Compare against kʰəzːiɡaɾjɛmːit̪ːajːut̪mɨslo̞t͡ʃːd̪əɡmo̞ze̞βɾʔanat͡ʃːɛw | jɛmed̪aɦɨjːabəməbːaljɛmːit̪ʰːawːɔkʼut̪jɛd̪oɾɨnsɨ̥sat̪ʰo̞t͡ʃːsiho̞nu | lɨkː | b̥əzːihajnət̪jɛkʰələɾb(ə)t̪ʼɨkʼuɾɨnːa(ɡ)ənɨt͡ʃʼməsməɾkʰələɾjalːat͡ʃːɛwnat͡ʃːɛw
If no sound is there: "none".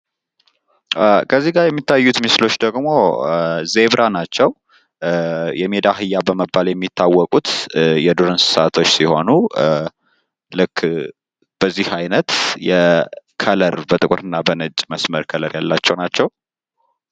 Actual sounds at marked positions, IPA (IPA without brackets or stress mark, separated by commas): ə, b